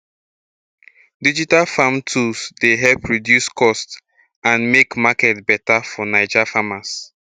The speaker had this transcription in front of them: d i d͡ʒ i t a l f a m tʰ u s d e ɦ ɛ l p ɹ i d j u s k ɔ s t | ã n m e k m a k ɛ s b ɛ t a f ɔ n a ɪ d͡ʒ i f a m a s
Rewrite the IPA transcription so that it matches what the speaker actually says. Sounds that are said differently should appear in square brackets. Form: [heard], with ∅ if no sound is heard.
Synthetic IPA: d i d͡ʒ i t a l f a m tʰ u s d e ɦ ɛ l p ɹ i d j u s k ɔ s t | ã n m e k m a k ɛ [t] b ɛ t a f ɔ n a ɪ d͡ʒ [a] f a m a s